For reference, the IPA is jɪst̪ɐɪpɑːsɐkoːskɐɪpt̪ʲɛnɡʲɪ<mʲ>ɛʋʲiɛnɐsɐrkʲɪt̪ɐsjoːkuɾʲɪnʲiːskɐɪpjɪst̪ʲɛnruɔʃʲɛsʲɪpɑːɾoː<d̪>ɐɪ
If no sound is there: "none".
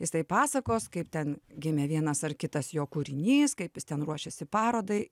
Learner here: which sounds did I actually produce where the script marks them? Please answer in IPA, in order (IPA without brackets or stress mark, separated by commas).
mʲ, d̪